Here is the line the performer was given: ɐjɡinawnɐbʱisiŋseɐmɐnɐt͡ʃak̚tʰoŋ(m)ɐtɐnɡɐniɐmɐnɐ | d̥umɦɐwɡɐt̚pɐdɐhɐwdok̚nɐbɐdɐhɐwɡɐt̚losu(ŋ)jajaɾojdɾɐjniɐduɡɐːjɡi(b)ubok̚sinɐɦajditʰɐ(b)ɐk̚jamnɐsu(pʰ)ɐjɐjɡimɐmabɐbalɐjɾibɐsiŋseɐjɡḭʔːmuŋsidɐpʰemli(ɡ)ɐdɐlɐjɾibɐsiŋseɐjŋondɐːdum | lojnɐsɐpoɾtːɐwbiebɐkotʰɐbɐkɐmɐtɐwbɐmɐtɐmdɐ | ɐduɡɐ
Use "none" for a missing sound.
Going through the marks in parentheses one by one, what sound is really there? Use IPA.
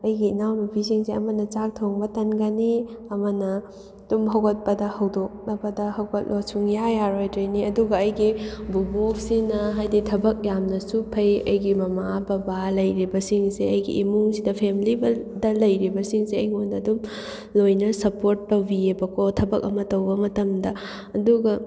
b, ŋ, b, b, pʰ, b

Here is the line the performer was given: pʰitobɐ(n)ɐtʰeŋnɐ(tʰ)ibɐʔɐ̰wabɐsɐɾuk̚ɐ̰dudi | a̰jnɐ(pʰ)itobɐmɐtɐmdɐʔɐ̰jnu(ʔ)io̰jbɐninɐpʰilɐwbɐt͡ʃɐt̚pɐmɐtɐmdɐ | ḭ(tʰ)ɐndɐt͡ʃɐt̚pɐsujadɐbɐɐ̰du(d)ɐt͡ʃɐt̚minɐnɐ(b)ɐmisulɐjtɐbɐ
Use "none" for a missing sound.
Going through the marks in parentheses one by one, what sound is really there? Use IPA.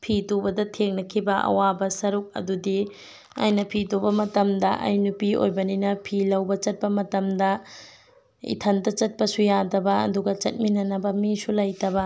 d, kʰ, pʰ, p, tʰ, ɡ, b

